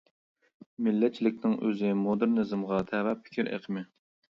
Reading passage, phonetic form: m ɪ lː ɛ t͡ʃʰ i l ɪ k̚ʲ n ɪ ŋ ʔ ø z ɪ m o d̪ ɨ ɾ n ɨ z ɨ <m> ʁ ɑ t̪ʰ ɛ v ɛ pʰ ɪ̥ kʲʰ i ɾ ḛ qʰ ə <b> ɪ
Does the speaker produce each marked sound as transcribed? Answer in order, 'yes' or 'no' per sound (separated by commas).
yes, no